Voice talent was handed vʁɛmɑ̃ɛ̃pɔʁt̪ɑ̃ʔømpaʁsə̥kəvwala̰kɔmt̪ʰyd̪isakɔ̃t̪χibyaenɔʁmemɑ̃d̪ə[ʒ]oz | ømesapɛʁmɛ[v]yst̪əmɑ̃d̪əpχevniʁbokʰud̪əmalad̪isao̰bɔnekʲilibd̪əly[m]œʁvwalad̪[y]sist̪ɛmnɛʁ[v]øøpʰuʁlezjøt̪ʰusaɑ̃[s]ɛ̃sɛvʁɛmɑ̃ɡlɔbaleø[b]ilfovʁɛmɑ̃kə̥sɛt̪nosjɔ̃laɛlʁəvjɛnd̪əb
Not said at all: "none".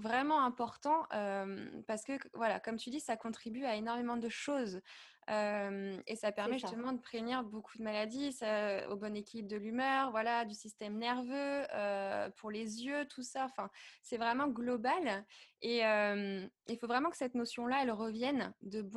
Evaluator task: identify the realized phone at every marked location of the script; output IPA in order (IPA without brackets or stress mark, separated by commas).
ʃ, ʒ, m, y, v, f, m